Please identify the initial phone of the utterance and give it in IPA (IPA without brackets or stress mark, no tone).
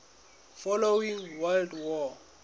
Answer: f